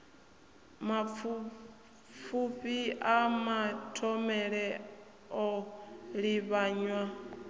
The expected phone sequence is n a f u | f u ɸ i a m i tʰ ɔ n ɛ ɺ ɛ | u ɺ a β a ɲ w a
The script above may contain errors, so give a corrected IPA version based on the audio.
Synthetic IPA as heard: m a f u | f u ɸ i a m a tʰ ɔ m ɛ ɺ ɛ | ɔ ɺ i β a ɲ w a

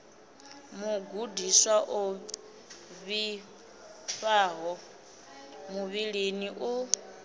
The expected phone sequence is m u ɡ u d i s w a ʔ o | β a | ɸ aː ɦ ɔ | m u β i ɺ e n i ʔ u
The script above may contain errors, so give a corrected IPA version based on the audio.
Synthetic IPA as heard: m u ɡ u d i s w a ʔ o | β i | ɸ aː ɦ ɔ | m u β i ɺ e n i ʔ u

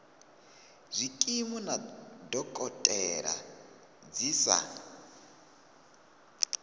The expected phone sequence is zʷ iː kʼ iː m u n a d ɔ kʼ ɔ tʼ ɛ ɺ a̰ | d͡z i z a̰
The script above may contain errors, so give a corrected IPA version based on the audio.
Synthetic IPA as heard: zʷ i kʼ i m u n a d ɔ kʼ ɔ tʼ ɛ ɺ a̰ | d͡z i s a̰

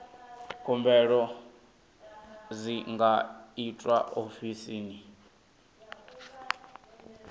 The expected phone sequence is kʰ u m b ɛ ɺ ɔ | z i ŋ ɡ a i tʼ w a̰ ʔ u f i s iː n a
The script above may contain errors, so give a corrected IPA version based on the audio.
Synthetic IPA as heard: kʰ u m b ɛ ɺ ɔ | z i ŋ ɡ a i tʼ w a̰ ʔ o f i s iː n i

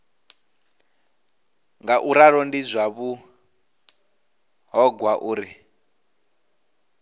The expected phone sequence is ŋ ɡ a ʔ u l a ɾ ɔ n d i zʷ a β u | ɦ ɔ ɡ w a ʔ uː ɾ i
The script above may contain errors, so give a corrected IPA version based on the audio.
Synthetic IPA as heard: ŋ ɡ a ʔ u ɾ a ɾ ɔ n d i zʷ a β u | ɦ ɔ ɡ w a ʔ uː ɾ i

